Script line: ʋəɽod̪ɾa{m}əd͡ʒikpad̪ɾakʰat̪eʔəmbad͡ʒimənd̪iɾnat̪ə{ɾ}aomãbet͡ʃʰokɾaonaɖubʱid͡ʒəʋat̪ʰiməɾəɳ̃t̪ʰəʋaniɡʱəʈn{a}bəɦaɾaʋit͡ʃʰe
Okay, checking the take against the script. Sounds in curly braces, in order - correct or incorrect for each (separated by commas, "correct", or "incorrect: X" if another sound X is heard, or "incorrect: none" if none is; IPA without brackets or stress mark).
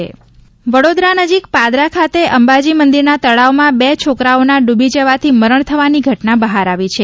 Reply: incorrect: n, incorrect: ɭ, correct